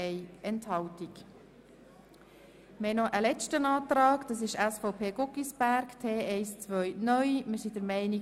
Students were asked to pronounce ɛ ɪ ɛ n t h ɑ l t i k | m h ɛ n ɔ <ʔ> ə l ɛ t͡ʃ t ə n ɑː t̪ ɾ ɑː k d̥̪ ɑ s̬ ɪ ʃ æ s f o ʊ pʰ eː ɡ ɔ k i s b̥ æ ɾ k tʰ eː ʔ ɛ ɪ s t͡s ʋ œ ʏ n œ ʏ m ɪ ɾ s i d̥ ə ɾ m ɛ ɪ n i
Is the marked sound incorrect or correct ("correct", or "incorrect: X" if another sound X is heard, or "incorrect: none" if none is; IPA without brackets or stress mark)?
correct